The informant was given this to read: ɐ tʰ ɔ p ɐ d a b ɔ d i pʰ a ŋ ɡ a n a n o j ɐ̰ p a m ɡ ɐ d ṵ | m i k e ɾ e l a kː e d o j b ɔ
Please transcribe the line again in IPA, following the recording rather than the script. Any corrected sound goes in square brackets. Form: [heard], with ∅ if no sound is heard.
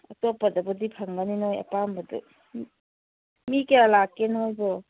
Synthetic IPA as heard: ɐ [t] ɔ p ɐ d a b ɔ d i pʰ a ŋ ɡ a n [i] n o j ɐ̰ p a m [b] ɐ d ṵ | m i k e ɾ [a] l a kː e [n] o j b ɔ